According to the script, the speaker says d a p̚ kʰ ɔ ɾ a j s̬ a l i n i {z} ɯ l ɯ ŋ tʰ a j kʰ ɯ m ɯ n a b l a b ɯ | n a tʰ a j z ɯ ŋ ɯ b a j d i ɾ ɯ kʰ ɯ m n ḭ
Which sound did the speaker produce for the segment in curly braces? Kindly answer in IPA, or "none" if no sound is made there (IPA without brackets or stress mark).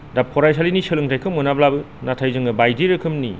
s